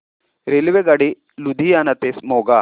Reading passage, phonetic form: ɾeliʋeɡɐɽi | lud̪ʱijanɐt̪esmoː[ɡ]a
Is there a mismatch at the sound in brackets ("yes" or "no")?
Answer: no